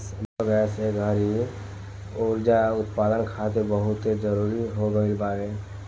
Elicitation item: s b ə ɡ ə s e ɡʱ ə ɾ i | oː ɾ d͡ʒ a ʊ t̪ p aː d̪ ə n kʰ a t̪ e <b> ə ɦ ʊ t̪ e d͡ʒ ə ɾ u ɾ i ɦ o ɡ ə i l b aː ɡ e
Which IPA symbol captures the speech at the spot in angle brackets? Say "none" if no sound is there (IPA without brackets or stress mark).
b